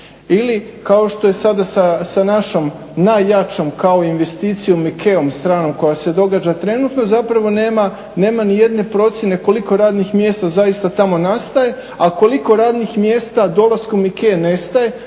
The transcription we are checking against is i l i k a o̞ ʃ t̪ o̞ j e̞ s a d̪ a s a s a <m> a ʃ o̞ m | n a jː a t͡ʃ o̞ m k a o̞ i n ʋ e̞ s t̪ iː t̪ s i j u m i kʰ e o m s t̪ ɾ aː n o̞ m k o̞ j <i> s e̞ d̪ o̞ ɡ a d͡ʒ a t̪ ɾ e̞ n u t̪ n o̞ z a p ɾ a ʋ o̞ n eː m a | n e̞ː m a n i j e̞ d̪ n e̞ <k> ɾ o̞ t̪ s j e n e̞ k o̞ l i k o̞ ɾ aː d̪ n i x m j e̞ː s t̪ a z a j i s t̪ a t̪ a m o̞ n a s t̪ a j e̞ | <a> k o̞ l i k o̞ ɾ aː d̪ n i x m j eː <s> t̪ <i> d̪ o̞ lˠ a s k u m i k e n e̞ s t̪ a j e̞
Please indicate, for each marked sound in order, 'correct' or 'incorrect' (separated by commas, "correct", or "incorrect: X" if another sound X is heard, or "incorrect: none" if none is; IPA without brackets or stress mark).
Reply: incorrect: n, incorrect: a, incorrect: p, correct, correct, incorrect: a